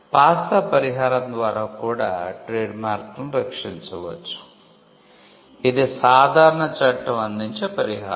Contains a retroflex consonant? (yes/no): yes